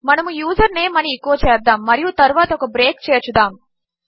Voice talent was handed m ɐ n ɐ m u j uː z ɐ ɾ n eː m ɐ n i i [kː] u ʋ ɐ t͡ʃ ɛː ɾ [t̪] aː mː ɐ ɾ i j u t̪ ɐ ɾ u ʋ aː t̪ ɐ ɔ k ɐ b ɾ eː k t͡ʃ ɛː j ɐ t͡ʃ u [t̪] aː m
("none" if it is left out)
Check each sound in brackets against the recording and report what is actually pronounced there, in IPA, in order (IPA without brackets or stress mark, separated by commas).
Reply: kː, d̪, d̪